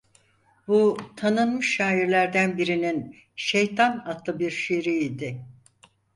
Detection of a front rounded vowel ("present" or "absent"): absent